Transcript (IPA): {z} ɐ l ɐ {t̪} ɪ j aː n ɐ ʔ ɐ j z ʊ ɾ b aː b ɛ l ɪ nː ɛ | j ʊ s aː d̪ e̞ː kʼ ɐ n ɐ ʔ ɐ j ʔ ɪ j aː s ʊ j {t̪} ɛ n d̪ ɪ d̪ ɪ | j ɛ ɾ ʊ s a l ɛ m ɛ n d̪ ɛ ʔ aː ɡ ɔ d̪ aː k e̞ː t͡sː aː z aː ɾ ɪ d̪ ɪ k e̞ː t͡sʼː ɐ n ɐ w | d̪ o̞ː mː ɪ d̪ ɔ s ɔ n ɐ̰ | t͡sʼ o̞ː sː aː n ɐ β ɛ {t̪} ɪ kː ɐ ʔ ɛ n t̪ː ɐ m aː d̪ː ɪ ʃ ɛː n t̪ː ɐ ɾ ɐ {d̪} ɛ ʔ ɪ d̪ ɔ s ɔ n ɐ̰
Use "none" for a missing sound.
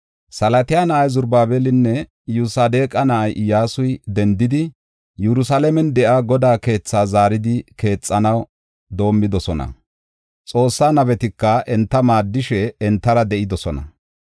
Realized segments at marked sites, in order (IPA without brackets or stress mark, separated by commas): s, t̪, d̪, t̪, d̪